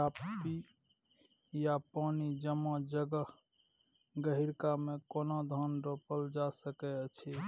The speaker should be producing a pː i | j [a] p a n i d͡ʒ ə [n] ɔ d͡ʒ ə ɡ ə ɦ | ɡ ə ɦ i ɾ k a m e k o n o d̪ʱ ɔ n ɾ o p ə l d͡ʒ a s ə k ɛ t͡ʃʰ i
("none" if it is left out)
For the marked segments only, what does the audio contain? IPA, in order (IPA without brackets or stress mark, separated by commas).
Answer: a, m